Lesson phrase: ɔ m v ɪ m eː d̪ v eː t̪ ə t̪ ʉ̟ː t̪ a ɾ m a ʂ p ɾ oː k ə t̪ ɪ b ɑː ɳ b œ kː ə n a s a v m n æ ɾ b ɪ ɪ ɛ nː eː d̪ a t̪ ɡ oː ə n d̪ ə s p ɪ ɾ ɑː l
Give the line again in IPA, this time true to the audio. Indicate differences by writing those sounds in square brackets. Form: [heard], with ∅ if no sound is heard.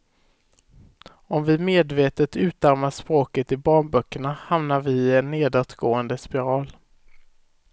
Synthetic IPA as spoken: ɔ m v ɪ m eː d̪ v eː t̪ ə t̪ ʉ̟ː t̪ a ɾ m a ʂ p ɾ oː k ə t̪ ɪ b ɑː ɳ b œ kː ə [ɳ] a [h] a [∅] m n [a] ɾ [v] ɪ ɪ ɛ nː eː d̪ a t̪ ɡ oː ə n d̪ ə s p ɪ ɾ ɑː l

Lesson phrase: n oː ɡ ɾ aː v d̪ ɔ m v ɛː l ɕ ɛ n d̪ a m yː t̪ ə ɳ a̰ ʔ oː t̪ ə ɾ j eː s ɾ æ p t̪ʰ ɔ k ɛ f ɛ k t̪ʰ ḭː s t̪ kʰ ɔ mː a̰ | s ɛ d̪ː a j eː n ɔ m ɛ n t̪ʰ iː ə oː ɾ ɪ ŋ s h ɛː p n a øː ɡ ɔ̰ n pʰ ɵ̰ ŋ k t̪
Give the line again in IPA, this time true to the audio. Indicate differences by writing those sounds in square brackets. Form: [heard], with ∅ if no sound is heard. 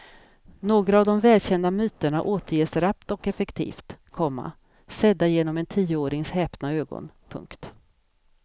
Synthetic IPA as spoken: n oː ɡ ɾ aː v d̪ ɔ m v ɛː l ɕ ɛ n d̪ a m yː t̪ ə ɳ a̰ ʔ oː t̪ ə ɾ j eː s ɾ [a] p [t̪] ɔ k ɛ f ɛ k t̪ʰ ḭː [f] t̪ kʰ ɔ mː a̰ | s ɛ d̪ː a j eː n ɔ m ɛ n t̪ʰ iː ə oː ɾ ɪ ŋ s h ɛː p n a øː ɡ ɔ̰ n pʰ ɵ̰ ŋ k t̪

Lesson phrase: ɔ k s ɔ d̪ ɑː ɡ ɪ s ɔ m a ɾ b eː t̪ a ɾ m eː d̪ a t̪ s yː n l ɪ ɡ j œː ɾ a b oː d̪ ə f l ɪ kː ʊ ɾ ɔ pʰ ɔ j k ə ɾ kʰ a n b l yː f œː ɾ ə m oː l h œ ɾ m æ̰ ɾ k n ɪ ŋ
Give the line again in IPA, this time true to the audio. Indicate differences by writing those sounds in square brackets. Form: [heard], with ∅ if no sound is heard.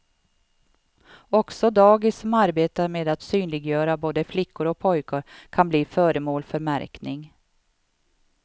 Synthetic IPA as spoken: ɔ k s ɔ d̪ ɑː ɡ ɪ s ɔ m a ɾ b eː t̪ a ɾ m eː d̪ a t̪ s yː n l ɪ ɡ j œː ɾ a b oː d̪ ə f l ɪ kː ʊ ɾ ɔ pʰ ɔ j k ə ɾ kʰ a n b l [iː] f œː ɾ ə m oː l [f] œ ɾ m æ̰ ɾ k n ɪ ŋ

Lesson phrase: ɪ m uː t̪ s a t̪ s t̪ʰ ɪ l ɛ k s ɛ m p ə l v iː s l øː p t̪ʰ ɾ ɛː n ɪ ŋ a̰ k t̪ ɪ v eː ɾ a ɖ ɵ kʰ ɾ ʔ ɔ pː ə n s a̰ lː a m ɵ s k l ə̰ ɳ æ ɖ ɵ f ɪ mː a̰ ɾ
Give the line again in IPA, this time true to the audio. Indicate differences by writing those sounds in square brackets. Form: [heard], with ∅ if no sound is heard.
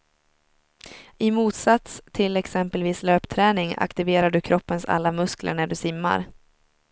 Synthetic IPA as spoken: ɪ m uː t̪ s a t̪ s t̪ʰ ɪ l ɛ k s ɛ m p ə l v iː s l øː p t̪ʰ ɾ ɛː n ɪ ŋ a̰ k t̪ ɪ v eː ɾ a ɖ ɵ kʰ ɾ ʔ ɔ pː ə n s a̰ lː a m ɵ s k l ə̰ ɳ æ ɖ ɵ [s] ɪ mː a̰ ɾ

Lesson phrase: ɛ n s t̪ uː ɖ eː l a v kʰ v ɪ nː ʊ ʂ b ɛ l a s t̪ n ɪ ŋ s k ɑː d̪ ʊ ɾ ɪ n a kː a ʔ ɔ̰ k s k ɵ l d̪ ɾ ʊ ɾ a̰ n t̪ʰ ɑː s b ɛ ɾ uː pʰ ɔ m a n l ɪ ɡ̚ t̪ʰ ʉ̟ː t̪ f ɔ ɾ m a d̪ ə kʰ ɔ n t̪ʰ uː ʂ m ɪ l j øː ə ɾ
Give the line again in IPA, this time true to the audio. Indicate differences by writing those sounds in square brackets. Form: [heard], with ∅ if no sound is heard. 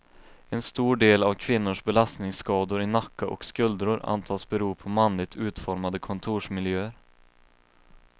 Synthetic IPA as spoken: ɛ n s t̪ uː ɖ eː l a v kʰ v ɪ nː ʊ ʂ b ɛ l a s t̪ n ɪ ŋ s k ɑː d̪ ʊ ɾ ɪ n a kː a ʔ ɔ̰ k s k ɵ l d̪ ɾ ʊ ɾ a̰ n t̪ʰ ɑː s b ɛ ɾ uː pʰ ɔ m a n l ɪ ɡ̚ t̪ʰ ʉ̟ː t̪ f ɔ ɾ m a d̪ ə kʰ ɔ n t̪ʰ uː ʂ m ɪ l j øː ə ɾ

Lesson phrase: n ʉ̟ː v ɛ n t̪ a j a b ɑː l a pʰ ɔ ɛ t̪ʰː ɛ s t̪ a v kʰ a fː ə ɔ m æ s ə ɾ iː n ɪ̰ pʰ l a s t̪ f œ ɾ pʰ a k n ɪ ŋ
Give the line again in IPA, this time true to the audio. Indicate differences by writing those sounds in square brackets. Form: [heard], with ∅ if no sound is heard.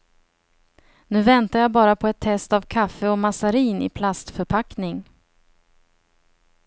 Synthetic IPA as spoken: n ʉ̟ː v ɛ n t̪ a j a b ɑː [ɾ] a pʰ ɔ ɛ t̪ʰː ɛ s t̪ a v kʰ a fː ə ɔ m [a] s [a] ɾ iː n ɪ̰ pʰ l a s t̪ f œ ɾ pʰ a k n ɪ ŋ

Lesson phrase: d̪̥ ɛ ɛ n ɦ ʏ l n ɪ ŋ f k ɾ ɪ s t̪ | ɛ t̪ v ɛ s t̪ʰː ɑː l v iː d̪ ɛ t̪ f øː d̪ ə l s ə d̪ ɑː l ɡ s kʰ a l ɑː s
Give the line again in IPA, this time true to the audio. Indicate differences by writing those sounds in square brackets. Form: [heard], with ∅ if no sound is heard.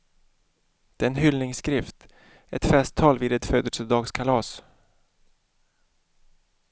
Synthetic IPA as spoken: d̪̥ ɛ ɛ n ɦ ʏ l n ɪ ŋ [s] k ɾ ɪ [f] t̪ | ɛ t̪ [f] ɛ s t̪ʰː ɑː l v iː d̪ ɛ t̪ f øː d̪ ə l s ə d̪ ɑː [∅] ɡ s kʰ a l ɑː s

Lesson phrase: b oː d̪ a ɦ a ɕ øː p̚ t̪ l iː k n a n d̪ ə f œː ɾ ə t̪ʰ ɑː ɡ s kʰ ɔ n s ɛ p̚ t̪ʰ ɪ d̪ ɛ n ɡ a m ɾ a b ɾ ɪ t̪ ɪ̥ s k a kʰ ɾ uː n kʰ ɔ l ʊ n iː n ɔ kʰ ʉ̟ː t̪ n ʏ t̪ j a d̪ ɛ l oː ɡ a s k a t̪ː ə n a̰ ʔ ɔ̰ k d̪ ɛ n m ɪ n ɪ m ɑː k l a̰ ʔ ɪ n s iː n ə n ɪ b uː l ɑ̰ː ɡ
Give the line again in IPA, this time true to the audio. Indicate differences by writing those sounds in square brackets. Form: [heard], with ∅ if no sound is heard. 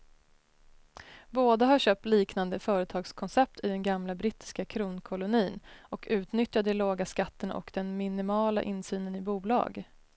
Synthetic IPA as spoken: b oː d̪ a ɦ a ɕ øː p̚ t̪ l iː k n a n d̪ ə f œː ɾ ə t̪ʰ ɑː ɡ s kʰ ɔ n s ɛ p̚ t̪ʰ ɪ d̪ ɛ n ɡ a m [l] a b ɾ ɪ t̪ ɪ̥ s k a kʰ ɾ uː n kʰ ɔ l ʊ n iː n ɔ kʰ ʉ̟ː t̪ n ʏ t̪ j a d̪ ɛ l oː ɡ a s k a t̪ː ə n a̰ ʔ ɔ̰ k d̪ ɛ n m ɪ n ɪ m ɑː [∅] l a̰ ʔ ɪ n s [yː] n ə n ɪ b uː l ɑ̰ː ɡ

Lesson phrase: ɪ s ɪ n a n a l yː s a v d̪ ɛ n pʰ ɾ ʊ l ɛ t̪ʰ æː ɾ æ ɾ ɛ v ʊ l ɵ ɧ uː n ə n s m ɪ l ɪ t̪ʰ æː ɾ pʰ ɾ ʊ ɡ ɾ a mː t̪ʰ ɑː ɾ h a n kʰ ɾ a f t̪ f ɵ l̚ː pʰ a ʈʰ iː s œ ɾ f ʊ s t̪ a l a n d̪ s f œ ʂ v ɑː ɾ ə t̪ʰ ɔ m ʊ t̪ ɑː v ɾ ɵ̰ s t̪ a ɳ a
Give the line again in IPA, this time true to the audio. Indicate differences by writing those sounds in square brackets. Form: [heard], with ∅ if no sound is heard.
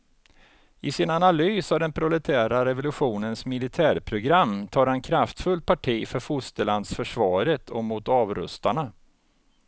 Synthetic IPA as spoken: ɪ s ɪ n a n a l yː s a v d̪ ɛ n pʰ ɾ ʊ l ɛ t̪ʰ æː ɾ [a] ɾ ɛ v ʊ l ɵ ɧ uː n ə n s m ɪ l ɪ t̪ʰ æː ɾ pʰ ɾ ʊ ɡ ɾ a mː t̪ʰ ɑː ɾ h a n kʰ ɾ a f t̪ f ɵ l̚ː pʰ a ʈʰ iː [f] œ ɾ f ʊ s t̪ [ə] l a n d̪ s f œ ʂ v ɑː ɾ ə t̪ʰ ɔ m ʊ t̪ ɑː v ɾ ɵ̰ s t̪ a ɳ a

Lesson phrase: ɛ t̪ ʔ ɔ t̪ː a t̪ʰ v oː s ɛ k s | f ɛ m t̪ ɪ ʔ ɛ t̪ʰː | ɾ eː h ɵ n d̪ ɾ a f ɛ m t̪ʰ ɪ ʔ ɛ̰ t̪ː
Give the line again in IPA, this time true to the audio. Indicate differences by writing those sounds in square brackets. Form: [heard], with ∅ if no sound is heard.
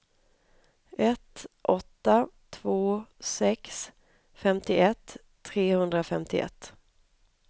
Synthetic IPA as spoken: ɛ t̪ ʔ ɔ t̪ː a t̪ʰ v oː s ɛ k s | f ɛ m t̪ ɪ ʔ ɛ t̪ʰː | ɾ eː h ɵ n d̪ ɾ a f ɛ m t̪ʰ ɪ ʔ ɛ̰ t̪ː

